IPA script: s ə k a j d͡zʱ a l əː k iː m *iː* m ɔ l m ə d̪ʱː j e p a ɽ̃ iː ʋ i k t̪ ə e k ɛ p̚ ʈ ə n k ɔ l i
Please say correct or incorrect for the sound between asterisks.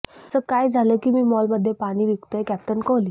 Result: correct